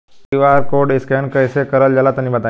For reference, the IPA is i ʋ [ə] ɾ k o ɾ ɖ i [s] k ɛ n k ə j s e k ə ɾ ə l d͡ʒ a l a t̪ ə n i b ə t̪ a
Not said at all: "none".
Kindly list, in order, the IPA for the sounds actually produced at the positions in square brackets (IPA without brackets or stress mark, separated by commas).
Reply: a, s